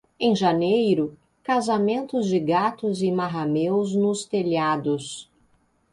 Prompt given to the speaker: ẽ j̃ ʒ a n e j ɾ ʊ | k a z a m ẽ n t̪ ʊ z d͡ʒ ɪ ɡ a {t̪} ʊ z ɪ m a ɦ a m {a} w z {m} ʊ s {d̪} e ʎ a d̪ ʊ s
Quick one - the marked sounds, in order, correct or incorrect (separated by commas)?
correct, incorrect, incorrect, incorrect